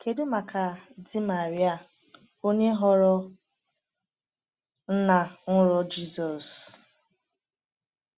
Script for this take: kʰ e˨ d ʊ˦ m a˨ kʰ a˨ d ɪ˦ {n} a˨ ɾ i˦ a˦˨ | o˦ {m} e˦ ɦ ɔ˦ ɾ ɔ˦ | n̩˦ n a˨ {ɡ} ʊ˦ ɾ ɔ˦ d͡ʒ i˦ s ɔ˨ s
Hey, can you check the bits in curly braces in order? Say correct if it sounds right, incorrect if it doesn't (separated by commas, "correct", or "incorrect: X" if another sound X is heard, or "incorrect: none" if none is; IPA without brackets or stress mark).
incorrect: m, incorrect: ɲ, incorrect: ŋ